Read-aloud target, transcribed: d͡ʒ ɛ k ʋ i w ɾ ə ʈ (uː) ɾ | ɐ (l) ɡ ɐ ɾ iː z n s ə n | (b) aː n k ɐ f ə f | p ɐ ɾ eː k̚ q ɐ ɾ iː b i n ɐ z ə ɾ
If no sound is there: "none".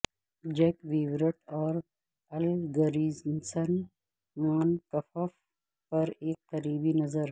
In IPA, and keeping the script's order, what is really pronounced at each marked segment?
ɔː, l, m

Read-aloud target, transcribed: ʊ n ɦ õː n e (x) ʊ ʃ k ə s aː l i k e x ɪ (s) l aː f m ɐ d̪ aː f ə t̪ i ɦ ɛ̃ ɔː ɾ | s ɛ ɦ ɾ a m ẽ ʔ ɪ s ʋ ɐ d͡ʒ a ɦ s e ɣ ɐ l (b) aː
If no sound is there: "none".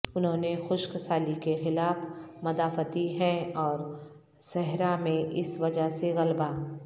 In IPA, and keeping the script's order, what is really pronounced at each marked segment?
x, none, b

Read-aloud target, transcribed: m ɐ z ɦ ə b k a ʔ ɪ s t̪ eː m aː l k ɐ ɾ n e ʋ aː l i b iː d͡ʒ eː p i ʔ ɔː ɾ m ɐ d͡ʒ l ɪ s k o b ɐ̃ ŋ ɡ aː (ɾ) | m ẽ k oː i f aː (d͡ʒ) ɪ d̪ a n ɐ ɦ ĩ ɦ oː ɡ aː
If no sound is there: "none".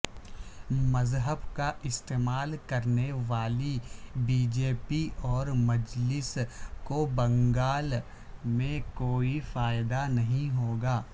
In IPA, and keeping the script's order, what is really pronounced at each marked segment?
l, none

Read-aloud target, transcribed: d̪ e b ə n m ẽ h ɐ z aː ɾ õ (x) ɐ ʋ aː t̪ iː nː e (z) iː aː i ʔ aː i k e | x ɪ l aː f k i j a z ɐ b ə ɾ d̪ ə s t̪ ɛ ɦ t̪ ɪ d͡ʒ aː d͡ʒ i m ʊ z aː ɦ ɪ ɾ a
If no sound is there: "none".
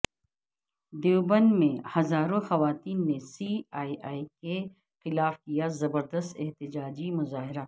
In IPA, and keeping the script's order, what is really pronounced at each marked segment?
x, s

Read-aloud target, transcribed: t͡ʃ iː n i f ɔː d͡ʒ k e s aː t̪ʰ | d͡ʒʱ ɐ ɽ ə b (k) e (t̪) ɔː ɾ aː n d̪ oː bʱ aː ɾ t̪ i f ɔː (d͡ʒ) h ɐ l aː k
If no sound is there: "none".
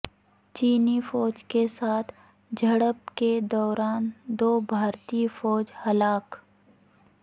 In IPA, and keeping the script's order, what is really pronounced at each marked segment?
k, d̪, d͡ʒ

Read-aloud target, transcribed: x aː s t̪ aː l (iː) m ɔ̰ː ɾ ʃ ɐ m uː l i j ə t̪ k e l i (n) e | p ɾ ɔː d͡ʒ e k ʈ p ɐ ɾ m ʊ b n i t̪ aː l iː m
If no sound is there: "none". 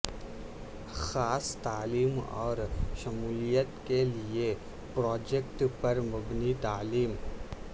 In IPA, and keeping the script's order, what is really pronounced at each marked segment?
iː, none

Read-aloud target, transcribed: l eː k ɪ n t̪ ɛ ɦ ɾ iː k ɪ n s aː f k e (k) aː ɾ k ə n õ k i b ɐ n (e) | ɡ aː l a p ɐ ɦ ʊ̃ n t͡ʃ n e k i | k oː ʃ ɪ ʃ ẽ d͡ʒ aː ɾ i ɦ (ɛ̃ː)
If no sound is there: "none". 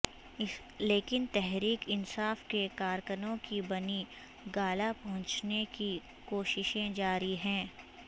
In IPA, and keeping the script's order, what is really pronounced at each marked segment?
k, i, ɛ̃ː

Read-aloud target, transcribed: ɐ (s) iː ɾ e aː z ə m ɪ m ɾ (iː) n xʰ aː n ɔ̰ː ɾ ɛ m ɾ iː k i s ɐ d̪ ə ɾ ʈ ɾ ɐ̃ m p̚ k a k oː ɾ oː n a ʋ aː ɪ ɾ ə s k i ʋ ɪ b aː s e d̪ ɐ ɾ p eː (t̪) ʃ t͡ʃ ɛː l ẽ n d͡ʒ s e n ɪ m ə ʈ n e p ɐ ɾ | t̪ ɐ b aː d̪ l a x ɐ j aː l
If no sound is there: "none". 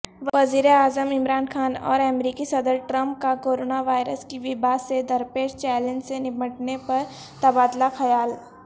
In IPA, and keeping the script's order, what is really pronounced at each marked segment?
z, aː, none

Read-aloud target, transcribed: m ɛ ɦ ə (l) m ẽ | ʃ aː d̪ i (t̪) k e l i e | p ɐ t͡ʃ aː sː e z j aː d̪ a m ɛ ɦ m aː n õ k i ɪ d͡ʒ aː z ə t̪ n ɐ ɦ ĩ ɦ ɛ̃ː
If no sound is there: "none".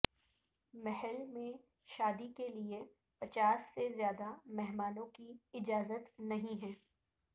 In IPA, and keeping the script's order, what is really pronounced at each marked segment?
l, none

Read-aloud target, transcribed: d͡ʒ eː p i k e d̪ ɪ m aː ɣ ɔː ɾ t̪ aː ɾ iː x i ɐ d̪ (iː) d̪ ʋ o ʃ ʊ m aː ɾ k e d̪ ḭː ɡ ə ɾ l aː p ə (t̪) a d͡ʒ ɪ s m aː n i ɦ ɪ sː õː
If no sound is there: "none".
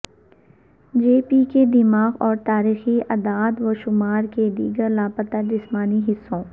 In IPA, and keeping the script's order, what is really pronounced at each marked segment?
aː, t̪

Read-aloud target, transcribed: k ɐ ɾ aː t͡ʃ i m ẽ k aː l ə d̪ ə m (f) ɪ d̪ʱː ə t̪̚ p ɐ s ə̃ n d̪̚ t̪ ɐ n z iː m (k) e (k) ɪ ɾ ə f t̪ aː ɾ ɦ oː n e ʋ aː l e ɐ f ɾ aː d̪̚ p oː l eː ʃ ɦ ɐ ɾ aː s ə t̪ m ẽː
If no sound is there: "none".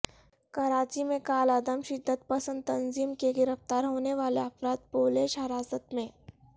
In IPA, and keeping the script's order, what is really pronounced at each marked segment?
ʃ, k, ɡ

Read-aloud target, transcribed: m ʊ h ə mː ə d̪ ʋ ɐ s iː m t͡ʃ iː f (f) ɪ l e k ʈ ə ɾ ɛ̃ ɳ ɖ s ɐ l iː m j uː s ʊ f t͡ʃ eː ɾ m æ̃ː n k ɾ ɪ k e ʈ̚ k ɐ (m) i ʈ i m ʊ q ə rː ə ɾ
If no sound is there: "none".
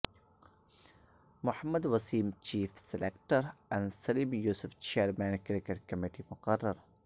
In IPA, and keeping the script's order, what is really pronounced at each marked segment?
s, m

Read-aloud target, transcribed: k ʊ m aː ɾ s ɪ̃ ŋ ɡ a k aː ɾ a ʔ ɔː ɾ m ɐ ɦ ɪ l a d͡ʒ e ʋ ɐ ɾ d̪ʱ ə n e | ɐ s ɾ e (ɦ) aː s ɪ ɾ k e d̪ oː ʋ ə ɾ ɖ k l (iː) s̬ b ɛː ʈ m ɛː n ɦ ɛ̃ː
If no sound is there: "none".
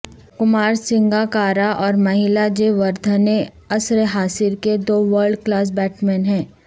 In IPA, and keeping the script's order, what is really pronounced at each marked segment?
ɦ, aː

